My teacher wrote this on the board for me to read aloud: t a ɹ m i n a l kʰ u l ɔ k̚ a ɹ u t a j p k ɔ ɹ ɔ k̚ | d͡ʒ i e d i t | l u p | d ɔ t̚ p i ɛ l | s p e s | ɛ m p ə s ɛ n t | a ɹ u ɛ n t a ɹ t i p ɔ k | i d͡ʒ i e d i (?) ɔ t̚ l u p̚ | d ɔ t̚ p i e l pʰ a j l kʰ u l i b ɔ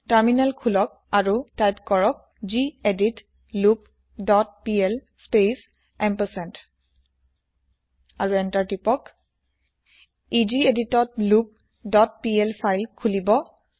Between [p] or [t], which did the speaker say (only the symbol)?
t